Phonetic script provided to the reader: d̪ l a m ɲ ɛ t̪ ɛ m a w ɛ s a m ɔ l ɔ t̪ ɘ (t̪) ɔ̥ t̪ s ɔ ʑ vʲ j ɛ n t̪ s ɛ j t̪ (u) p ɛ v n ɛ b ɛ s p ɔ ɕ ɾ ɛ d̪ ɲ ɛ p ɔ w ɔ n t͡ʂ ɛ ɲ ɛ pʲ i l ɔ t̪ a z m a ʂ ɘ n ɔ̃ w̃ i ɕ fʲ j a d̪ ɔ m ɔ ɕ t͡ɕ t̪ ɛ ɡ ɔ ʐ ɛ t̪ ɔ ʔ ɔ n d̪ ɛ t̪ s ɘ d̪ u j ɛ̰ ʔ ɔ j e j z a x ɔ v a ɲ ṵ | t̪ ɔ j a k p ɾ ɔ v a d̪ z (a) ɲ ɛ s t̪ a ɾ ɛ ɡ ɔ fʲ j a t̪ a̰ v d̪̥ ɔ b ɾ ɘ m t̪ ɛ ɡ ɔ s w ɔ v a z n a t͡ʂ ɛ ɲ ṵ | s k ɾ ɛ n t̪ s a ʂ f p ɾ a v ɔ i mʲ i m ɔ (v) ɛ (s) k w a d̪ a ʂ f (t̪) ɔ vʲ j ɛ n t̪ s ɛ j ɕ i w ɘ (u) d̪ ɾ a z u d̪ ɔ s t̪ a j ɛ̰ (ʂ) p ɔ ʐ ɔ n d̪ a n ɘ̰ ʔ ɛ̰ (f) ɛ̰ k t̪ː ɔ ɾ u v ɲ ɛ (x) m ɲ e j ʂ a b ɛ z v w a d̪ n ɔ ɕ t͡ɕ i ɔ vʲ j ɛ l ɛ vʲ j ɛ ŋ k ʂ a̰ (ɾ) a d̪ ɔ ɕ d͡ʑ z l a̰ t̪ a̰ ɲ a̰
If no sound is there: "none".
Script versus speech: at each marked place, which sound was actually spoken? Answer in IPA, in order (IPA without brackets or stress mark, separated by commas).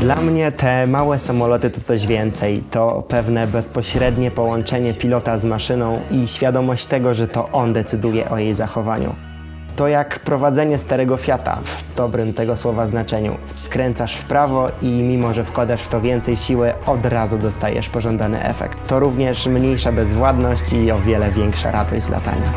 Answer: t̪, ɔ, ɛ, ʐ, f, t̪, ɔ, ʂ, f, ʂ, ɾ